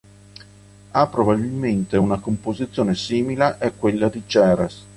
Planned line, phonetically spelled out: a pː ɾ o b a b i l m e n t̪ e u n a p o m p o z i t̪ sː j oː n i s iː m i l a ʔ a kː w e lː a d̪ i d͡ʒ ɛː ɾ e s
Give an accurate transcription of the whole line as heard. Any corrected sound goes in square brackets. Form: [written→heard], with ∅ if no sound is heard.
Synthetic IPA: a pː ɾ o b a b i l m e n t̪ e u n a [p→k] o m p o z i t̪ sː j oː n [i→e] s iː m i l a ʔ [a→ɛ] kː w e lː a d̪ i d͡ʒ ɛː ɾ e s